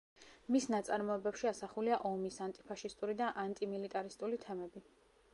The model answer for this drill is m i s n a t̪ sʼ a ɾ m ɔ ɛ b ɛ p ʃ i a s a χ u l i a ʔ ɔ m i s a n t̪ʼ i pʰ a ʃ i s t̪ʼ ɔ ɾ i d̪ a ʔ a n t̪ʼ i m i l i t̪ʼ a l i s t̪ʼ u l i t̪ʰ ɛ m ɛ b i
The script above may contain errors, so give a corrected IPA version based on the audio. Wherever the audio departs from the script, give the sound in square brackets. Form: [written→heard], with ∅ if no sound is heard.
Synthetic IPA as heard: m i s n a t̪ sʼ a ɾ m ɔ ɛ b ɛ p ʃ i a s a χ u l i a ʔ ɔ m i s a n t̪ʼ i pʰ a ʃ i s t̪ʼ [ɔ→u] ɾ i d̪ a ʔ a n t̪ʼ i m i l i t̪ʼ a [l→ɾ] i s t̪ʼ u l i t̪ʰ ɛ m ɛ b i